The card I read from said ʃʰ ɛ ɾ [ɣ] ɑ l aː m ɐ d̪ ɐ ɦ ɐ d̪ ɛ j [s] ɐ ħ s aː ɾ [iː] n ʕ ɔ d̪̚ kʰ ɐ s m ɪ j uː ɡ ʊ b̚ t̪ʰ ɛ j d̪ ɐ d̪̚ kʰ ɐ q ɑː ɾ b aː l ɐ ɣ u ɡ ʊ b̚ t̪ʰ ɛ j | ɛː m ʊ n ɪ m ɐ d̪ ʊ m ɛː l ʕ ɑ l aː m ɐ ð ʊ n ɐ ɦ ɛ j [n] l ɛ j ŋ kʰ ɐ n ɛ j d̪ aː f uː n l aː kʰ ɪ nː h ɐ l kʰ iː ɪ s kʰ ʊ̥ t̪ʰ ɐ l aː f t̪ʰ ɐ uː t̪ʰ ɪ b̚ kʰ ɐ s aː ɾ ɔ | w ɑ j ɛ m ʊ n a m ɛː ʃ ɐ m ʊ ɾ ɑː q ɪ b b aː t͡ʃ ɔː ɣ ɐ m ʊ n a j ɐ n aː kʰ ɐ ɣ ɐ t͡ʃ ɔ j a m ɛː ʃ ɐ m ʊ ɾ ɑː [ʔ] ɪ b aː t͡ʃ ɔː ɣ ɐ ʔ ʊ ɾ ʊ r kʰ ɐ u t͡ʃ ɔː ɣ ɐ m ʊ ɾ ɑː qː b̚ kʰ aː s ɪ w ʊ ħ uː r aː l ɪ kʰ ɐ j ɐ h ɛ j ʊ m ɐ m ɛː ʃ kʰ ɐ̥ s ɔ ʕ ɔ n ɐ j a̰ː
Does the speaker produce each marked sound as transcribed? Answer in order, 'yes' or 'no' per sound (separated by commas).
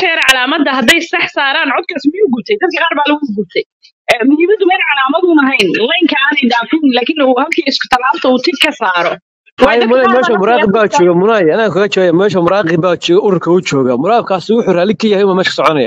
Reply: no, yes, no, yes, no